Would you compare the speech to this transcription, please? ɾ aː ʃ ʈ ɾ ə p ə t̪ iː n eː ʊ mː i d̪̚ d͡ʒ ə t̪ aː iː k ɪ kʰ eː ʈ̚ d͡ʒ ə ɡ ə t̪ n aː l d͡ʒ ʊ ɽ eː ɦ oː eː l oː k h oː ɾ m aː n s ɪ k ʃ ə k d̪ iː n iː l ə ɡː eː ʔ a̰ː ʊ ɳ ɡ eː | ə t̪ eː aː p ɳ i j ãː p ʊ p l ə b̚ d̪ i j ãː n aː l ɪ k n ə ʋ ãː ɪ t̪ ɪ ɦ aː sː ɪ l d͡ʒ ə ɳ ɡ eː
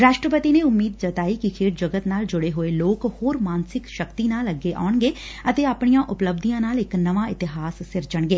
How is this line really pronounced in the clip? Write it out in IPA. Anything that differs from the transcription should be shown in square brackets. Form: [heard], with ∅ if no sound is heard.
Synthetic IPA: ɾ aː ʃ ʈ ɾ ə p ə t̪ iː n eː ʊ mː [iː] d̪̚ d͡ʒ ə t̪ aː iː k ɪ kʰ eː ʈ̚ d͡ʒ ə ɡ ə t̪ n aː l d͡ʒ ʊ ɽ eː ɦ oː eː l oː k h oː ɾ m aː n s ɪ k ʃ ə k [t̪] iː n [aː] l ə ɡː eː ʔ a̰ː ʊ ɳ ɡ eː | ə t̪ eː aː p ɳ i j ãː [ʔ] ʊ p l ə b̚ d̪ i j ãː n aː l ɪ k n ə ʋ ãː ɪ t̪ ɪ ɦ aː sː ɪ [ɾ] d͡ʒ ə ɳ ɡ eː

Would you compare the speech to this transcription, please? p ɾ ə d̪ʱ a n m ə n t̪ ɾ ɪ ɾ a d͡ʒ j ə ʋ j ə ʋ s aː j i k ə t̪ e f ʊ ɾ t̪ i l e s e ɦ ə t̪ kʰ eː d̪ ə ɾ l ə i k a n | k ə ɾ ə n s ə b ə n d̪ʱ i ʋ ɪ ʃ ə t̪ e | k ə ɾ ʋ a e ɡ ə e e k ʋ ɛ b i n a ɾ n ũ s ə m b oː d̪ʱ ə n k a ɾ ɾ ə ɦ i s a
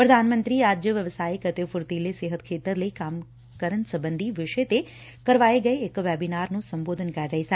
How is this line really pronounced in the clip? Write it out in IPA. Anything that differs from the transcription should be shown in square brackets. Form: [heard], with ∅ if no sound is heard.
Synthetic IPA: p ɾ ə d̪ʱ a n m ə n t̪ ɾ [i] ɾ a d͡ʒ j ə ʋ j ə ʋ s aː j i k ə t̪ e f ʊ ɾ t̪ i l e s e ɦ ə t̪ kʰ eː [t̪] ə ɾ l ə i k a [m] | k ə ɾ ə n s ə b ə n d̪ʱ i ʋ ɪ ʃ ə t̪ e | k ə ɾ ʋ a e ɡ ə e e k ʋ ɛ b i n a ɾ n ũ s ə m b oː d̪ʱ ə n k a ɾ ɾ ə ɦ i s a

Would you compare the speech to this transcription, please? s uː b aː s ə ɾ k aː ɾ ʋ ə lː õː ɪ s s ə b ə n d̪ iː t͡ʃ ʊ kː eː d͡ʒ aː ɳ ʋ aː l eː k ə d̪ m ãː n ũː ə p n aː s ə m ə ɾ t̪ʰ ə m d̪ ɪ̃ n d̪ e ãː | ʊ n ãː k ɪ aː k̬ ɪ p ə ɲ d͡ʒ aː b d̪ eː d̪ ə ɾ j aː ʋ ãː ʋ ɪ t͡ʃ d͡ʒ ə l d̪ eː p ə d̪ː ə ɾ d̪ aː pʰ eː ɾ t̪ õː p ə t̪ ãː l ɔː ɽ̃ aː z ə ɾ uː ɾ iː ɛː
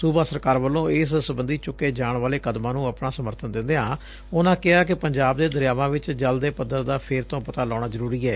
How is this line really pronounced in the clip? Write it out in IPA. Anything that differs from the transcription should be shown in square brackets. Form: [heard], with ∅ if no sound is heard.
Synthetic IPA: s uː b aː s ə ɾ k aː ɾ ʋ ə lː õː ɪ s s ə b ə n d̪ iː t͡ʃ ʊ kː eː d͡ʒ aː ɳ ʋ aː l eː k ə d̪ m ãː n ũː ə p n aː s ə m ə ɾ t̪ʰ ə [n] d̪ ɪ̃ n d̪ e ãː | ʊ n ãː k ɪ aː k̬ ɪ p ə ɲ d͡ʒ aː b d̪ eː d̪ ə ɾ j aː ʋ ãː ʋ ɪ t͡ʃ d͡ʒ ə l d̪ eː p ə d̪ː ə ɾ d̪ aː pʰ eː ɾ t̪ õː p ə t̪ [aː] l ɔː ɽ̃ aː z ə ɾ uː ɾ iː ɛː

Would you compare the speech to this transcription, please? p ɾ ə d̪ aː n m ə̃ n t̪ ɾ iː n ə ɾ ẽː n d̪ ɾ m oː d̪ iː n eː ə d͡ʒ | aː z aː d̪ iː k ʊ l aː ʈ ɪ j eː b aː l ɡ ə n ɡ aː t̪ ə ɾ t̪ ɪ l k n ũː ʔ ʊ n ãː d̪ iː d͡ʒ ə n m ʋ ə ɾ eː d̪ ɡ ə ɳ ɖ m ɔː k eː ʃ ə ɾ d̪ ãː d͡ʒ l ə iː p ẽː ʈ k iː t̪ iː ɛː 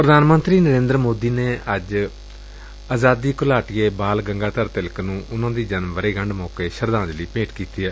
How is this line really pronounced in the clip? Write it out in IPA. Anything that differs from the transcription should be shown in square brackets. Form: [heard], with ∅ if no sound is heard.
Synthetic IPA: p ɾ ə d̪ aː n m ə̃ n t̪ ɾ iː n ə ɾ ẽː n d̪ ɾ m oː d̪ iː n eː ə d͡ʒ | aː z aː d̪ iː k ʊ l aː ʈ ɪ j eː b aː l ɡ ə [ŋ] ɡ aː t̪ ə ɾ t̪ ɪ l k n ũː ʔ ʊ n ãː d̪ iː d͡ʒ ə n m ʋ ə ɾ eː [∅] ɡ ə ɳ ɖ m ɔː k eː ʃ ə ɾ d̪ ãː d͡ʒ l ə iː p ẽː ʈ k iː t̪ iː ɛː

